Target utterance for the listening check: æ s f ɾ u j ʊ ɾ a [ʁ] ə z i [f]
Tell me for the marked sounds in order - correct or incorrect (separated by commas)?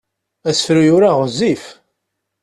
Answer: correct, correct